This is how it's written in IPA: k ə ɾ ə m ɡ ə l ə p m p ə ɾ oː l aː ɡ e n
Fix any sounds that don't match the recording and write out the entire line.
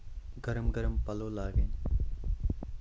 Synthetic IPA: ɡ ə ɾ ə m ɡ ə ɾ ə m p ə l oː l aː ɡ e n